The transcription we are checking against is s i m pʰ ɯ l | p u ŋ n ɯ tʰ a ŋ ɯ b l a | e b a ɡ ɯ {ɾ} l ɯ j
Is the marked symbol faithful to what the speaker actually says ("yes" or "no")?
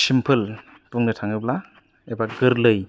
yes